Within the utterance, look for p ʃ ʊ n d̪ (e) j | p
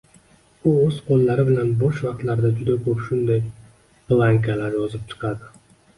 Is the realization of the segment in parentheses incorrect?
yes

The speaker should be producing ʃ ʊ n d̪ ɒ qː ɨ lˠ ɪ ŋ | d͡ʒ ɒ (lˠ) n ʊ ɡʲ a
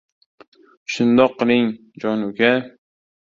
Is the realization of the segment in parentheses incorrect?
yes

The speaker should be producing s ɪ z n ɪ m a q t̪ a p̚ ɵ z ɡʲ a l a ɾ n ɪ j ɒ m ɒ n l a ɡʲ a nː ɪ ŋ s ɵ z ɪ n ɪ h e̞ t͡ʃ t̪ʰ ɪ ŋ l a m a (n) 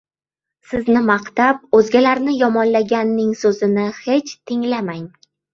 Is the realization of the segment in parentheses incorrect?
yes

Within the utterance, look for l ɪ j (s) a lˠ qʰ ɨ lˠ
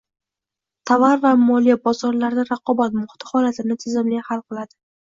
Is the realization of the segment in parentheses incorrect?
yes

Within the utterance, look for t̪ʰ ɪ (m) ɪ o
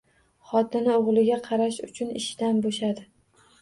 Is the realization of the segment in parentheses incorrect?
yes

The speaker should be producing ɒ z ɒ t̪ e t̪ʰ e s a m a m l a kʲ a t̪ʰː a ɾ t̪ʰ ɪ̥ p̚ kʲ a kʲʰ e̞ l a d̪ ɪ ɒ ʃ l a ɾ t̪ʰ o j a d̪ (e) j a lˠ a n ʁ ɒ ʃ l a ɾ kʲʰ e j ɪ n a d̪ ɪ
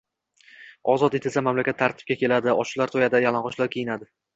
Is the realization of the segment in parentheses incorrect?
yes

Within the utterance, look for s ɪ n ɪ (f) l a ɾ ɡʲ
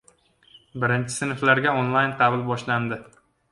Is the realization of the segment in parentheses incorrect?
no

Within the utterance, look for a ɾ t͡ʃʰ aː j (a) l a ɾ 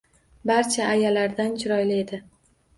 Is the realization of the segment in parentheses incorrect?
no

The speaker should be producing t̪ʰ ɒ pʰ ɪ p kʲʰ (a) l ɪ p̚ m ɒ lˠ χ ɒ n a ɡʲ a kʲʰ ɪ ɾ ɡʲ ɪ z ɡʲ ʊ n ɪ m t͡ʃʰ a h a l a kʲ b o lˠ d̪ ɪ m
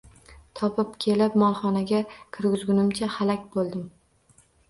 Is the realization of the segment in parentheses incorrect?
yes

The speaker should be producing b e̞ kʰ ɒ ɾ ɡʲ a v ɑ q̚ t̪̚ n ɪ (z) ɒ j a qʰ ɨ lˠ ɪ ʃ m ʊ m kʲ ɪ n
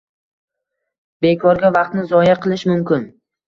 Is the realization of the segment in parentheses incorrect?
no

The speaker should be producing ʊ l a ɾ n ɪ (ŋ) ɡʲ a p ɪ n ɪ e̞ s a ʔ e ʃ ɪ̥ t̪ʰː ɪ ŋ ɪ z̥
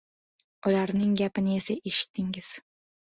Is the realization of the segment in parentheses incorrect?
no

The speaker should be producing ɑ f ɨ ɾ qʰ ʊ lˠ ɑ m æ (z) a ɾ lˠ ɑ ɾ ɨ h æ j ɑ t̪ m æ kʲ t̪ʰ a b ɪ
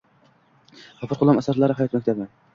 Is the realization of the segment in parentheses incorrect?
yes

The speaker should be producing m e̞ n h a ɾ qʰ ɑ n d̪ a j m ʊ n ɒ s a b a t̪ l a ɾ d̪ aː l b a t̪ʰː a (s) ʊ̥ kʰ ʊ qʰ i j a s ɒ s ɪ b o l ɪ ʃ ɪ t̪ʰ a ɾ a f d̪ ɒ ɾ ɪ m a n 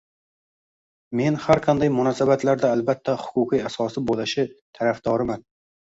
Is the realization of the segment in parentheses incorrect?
yes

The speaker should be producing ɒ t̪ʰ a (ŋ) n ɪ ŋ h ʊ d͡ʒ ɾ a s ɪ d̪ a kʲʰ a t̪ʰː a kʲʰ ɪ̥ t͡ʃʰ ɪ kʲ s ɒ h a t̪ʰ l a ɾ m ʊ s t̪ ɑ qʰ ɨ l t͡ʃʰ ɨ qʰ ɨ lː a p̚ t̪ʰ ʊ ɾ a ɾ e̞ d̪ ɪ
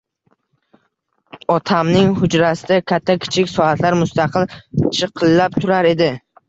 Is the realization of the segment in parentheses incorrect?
yes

